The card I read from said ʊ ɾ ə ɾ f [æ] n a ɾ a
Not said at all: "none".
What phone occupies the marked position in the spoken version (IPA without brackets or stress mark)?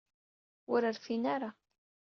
i